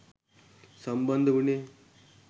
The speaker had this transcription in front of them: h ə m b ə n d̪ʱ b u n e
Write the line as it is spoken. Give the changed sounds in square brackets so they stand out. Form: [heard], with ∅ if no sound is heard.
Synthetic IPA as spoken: [s] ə m b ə n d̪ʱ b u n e

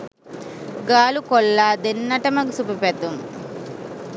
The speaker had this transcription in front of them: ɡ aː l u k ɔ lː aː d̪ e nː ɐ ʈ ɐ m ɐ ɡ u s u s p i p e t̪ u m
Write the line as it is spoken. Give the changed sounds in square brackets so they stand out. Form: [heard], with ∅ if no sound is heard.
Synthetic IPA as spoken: ɡ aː l u k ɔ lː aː d̪ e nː ɐ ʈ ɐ m ɐ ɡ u s u [∅] p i p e t̪ u m

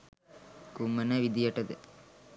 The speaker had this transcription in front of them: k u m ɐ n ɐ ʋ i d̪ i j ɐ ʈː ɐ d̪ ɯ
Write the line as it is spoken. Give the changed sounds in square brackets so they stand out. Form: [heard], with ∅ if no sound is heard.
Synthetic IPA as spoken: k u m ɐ n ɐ ʋ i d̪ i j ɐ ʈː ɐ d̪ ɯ

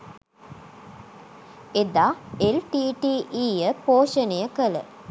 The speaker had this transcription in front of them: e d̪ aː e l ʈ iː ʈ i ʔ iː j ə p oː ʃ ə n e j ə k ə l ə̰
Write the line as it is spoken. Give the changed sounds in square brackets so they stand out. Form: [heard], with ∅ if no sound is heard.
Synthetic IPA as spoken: e d̪ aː e l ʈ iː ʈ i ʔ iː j ə p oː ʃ ə n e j ə k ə l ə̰

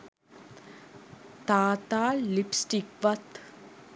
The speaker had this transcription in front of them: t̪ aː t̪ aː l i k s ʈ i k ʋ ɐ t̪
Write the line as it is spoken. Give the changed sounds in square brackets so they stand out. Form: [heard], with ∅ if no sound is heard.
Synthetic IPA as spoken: t̪ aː t̪ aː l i [p] s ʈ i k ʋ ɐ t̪

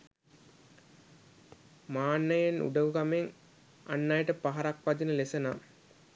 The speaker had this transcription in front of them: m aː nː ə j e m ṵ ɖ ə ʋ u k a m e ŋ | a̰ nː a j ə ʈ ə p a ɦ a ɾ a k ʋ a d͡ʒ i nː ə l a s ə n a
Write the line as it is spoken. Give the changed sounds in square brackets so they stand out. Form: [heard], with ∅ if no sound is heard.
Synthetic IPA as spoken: m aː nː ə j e [n] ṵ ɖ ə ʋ u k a m e ŋ | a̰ nː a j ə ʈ ə p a ɦ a ɾ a k ʋ a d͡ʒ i [n] ə l [e] s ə n a

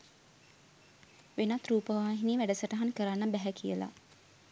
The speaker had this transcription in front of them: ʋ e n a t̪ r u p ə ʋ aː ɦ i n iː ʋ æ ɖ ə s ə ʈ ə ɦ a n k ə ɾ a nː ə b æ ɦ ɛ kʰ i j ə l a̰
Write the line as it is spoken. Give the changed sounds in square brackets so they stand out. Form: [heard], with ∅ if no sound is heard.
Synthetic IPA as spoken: ʋ e n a t̪ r [uː] p ə ʋ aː ɦ i n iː ʋ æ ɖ ə s ə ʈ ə ɦ a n k ə ɾ a nː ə b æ ɦ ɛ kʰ i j ə l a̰

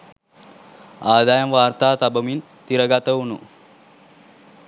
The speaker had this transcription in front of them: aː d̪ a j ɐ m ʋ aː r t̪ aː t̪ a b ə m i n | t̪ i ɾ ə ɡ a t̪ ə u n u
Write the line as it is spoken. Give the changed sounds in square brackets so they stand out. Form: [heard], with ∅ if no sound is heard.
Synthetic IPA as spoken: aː d̪ a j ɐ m ʋ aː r t̪ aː t̪ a b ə m i n | t̪ i ɾ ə ɡ a t̪ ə u n u

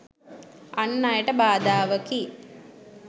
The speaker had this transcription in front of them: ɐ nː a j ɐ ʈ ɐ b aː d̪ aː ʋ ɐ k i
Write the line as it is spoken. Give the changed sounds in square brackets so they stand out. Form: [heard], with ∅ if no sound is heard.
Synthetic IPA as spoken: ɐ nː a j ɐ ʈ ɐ b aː d̪ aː ʋ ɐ k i

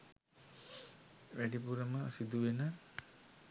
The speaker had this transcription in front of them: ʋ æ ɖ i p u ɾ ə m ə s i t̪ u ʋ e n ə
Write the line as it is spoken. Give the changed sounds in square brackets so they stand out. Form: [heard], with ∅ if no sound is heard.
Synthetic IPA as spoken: ʋ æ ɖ i p u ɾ ə m ə s i [d̪] u ʋ e n ə

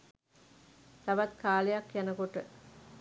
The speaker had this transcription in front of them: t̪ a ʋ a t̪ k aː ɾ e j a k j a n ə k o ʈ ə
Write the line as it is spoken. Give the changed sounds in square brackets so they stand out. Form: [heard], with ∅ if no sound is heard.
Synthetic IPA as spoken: t̪ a ʋ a t̪ k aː [l] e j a k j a n ə k o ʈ ə

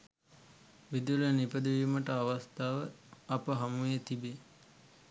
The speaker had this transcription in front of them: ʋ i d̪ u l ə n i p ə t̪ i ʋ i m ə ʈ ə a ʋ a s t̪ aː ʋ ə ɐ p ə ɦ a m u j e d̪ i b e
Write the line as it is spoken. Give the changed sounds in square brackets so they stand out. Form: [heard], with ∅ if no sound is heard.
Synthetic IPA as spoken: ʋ i d̪ u l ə n i p ə [d̪] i ʋ i m ə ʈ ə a ʋ a s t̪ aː ʋ ə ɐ p ə ɦ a m u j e [t̪] i b e

